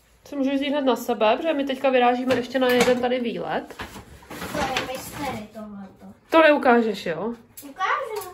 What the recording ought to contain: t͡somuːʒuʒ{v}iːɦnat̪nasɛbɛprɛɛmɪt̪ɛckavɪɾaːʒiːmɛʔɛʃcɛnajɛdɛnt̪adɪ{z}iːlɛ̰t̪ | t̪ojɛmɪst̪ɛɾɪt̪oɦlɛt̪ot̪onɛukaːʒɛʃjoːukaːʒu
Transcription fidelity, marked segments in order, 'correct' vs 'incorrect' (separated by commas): incorrect, incorrect